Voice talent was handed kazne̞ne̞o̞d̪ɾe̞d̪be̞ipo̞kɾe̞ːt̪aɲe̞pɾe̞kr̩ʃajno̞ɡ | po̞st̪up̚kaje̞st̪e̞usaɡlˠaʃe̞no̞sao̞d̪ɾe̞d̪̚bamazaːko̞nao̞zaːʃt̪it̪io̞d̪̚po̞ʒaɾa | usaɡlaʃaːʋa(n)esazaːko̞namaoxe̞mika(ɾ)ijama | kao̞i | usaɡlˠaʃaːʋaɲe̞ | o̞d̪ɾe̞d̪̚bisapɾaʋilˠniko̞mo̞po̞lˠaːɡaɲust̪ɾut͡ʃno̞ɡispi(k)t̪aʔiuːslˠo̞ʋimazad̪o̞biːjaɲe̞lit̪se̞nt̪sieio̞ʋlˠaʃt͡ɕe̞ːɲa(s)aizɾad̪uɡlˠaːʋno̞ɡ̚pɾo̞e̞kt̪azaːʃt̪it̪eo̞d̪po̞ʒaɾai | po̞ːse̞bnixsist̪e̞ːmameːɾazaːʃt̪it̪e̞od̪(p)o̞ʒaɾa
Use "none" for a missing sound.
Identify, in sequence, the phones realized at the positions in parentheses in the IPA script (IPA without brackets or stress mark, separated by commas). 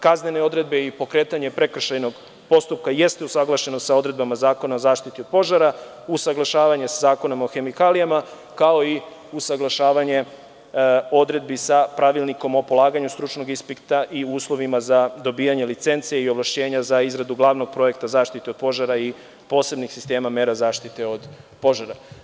ɲ, l, k, z, p